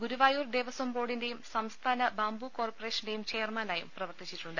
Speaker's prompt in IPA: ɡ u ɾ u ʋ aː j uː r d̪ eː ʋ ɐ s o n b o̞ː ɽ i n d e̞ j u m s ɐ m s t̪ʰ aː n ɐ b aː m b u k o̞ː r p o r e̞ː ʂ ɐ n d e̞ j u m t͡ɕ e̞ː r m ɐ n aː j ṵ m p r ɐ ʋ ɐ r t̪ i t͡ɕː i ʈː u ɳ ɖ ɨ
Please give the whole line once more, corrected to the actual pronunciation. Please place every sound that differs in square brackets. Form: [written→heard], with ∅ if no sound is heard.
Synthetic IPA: ɡ u ɾ u ʋ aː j uː r d̪ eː ʋ ɐ s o [n→m] b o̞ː ɽ i n d e̞ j u m s ɐ m s t̪ʰ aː n ɐ b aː m b u k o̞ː r p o r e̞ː ʂ ɐ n d e̞ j u m t͡ɕ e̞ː r m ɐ n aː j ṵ m p r ɐ ʋ ɐ r t̪ i t͡ɕː i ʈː u ɳ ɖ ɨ

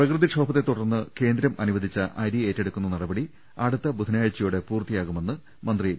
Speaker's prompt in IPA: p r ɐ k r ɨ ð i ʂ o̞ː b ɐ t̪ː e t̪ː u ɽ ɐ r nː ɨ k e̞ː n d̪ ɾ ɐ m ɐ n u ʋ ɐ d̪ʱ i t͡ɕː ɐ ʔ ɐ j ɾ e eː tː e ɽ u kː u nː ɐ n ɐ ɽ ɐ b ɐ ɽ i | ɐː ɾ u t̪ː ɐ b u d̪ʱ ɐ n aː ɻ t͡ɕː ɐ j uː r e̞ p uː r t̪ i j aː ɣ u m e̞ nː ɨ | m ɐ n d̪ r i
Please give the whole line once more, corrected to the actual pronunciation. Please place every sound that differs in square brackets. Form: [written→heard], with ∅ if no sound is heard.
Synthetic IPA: p r ɐ k r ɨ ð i ʂ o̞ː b ɐ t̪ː e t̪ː u ɽ ɐ r nː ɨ k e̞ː n d̪ ɾ ɐ m ɐ n u ʋ ɐ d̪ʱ i t͡ɕː ɐ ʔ ɐ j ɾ [e→i] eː tː e ɽ u kː u nː ɐ n ɐ ɽ ɐ b ɐ ɽ i | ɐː [ɾ→ɽ] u t̪ː ɐ b u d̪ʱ ɐ n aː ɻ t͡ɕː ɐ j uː [r→ɽ] e̞ p uː r t̪ i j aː ɣ u m e̞ nː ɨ | m ɐ n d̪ r i

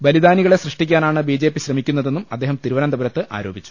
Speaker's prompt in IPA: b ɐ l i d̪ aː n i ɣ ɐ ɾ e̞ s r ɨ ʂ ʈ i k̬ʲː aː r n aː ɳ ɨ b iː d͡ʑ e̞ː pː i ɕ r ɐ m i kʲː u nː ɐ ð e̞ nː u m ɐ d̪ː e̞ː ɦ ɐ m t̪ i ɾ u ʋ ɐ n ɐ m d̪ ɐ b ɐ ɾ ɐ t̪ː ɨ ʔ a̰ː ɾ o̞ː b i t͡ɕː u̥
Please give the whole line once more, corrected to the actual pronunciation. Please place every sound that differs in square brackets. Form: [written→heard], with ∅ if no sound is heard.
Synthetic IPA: b ɐ l i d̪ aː n i ɣ ɐ [ɾ→ɭ] e̞ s r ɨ ʂ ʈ i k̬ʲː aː [r→∅] n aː ɳ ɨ b iː d͡ʑ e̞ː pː i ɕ r ɐ m i kʲː u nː ɐ ð e̞ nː u m ɐ d̪ː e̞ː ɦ ɐ m t̪ i ɾ u ʋ ɐ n ɐ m d̪ ɐ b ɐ ɾ ɐ t̪ː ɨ ʔ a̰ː ɾ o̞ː b i t͡ɕː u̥

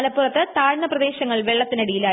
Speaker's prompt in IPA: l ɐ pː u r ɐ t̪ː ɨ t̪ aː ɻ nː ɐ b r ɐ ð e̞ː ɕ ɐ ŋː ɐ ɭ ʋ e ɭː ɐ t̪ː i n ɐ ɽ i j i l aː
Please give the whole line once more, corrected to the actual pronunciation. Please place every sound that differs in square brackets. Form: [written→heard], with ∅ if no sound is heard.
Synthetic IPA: l ɐ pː u r ɐ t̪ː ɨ t̪ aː ɻ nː ɐ [b→p] r ɐ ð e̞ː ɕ ɐ ŋː ɐ ɭ ʋ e ɭː ɐ t̪ː i n ɐ ɽ i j i l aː

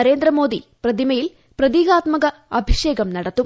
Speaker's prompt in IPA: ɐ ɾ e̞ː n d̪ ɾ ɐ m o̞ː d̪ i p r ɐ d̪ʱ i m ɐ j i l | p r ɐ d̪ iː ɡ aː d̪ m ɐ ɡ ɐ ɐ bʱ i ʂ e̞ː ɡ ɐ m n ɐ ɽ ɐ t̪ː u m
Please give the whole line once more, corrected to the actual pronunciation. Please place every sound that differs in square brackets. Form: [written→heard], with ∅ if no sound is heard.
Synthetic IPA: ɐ ɾ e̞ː n d̪ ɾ ɐ m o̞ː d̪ i p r ɐ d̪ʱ i m ɐ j i l | p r ɐ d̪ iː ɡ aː [d̪→t̪] m ɐ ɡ ɐ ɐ bʱ i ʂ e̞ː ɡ ɐ m n ɐ ɽ ɐ t̪ː u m

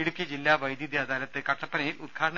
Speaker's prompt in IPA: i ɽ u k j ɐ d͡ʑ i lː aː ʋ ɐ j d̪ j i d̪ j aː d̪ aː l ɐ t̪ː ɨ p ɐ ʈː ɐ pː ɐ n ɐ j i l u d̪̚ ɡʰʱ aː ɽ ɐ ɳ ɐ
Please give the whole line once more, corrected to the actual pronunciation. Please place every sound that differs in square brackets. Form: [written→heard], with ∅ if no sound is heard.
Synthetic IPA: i ɽ u k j ɐ d͡ʑ i lː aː ʋ ɐ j d̪ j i d̪ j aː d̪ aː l ɐ t̪ː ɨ [p→k] ɐ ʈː ɐ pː ɐ n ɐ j i l u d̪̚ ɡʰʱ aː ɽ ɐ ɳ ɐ

